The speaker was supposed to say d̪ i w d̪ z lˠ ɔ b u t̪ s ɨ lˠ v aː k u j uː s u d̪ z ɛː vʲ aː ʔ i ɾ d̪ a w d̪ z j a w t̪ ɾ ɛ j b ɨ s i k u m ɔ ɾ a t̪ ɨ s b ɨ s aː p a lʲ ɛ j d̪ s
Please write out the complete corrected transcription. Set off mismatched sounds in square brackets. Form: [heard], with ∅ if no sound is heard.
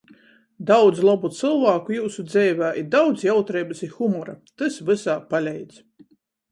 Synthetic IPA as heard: d̪ [a] w d̪ z lˠ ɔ b u t̪ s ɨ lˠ v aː k u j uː s u d̪ z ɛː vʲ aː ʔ i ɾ d̪ a w d̪ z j a w t̪ ɾ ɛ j b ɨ s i [x] u m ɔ ɾ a t̪ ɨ s [v] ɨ s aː p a lʲ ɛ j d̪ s